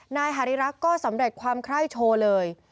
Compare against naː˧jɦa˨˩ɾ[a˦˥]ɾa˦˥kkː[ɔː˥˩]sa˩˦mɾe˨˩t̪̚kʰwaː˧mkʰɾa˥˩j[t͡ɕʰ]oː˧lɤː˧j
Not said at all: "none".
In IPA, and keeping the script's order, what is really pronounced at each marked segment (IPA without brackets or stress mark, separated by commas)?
i˦˥, ɔː˥˩, t͡ɕʰ